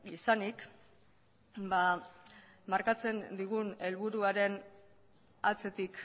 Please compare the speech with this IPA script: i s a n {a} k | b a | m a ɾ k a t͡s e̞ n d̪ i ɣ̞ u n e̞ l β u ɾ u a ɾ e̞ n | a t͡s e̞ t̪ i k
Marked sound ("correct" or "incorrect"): incorrect